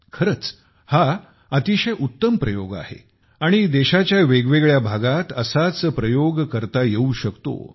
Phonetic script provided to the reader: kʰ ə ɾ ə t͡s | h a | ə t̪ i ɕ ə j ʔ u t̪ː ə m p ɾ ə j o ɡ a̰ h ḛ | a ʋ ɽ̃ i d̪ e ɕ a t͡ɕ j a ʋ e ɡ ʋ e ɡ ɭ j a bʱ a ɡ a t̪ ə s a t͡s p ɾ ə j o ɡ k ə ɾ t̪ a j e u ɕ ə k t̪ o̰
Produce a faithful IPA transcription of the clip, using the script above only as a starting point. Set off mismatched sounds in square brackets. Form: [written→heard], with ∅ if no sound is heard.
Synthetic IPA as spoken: kʰ ə ɾ ə t͡s | h a | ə t̪ i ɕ ə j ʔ u t̪ː ə m p ɾ ə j o ɡ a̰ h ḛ | a [ʋ→∅] ɽ̃ i d̪ e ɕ a t͡ɕ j a ʋ e ɡ ʋ e ɡ ɭ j a bʱ a ɡ a t̪ ə s a t͡s p ɾ ə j o ɡ k ə ɾ t̪ a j e u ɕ ə k t̪ o̰